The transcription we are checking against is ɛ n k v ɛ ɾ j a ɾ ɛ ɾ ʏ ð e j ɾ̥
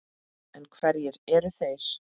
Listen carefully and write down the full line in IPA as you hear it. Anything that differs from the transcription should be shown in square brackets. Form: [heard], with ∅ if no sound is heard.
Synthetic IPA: ɛ n [kʰ] v ɛ ɾ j [ɛ] ɾ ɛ ɾ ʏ [θ] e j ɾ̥